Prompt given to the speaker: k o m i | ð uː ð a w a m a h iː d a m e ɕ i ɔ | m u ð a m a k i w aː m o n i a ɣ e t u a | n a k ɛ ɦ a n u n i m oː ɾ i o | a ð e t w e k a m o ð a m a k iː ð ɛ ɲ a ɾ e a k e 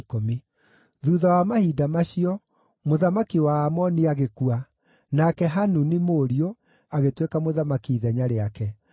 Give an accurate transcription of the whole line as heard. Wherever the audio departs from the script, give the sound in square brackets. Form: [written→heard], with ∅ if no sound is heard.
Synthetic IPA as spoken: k o m i | ð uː ð a w a m a h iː d a m [e→a] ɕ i ɔ | m [u→o] ð a m a k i w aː m [o→ɔ] n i a ɣ e [t→k] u a | n a k ɛ ɦ a n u n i m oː ɾ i o | a [ð→ɣ] e t w e k a m o ð a m a k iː ð ɛ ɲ a ɾ e a k [e→ɛ]